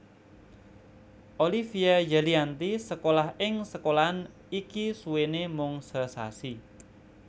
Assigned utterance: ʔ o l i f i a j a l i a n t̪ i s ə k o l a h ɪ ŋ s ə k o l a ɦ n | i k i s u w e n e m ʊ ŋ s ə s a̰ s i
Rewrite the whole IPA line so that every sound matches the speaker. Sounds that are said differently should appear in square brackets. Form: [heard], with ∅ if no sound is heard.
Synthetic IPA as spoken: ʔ o l i f i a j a l i a n t̪ i s ə k o l a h ɪ ŋ s ə k o l a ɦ n | i k i s u w e n e m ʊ ŋ s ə s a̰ s i

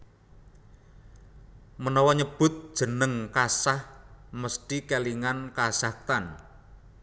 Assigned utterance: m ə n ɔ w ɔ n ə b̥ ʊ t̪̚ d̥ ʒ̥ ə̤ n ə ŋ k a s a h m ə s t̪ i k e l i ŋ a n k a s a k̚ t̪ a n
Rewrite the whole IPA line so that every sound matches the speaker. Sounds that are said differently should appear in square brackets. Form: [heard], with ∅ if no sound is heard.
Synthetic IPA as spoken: m ə n ɔ w ɔ [ɲ] ə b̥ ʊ t̪̚ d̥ ʒ̥ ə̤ n ə ŋ k a s a h m ə s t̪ i k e l i ŋ a n k a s a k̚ t̪ a n

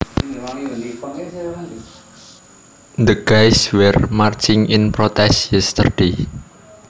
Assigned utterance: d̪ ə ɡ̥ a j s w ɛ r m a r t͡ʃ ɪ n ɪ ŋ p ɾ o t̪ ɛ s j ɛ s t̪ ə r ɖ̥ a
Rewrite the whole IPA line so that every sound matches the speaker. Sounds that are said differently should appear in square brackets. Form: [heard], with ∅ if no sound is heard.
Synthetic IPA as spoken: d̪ ə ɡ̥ a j s w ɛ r m a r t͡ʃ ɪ [ŋ] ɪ [n] p ɾ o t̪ ɛ s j ɛ s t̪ ə r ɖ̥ [e]

